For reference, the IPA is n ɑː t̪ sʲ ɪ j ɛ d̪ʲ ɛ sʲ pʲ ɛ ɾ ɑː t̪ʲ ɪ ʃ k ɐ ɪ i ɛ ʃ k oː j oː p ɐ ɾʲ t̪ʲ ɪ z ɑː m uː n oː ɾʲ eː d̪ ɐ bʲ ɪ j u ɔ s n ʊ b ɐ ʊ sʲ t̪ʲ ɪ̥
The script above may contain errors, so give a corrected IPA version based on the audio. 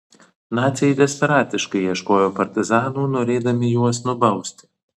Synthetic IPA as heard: n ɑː t̪ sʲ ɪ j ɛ d̪ʲ ɛ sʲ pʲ ɛ ɾ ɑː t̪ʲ ɪ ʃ k ɐ ɪ i ɛ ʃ k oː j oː p ɐ ɾʲ t̪ʲ ɪ z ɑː n uː n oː ɾʲ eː d̪ ɐ mʲ ɪ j u ɔ s n ʊ b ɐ ʊ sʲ t̪ʲ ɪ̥